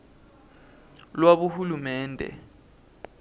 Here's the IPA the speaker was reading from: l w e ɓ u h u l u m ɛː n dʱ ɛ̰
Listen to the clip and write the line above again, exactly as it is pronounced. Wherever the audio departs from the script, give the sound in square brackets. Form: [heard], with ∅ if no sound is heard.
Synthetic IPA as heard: l w [a] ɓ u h u l u m ɛː n dʱ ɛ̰